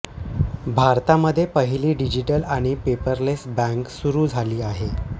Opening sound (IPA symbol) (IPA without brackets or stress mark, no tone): bʱ